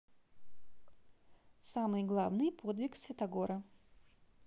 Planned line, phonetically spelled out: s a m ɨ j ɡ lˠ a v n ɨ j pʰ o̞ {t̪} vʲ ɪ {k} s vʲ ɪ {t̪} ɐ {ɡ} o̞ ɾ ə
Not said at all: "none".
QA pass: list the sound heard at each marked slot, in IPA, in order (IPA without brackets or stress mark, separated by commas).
d̪, k, t̪, ɡ